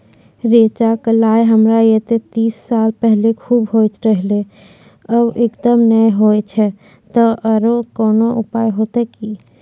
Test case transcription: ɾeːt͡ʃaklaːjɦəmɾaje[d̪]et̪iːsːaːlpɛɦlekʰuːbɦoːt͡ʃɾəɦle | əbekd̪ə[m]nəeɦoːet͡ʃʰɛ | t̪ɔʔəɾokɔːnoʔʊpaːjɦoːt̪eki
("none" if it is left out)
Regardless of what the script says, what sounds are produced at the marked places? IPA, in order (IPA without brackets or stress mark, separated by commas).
t̪, m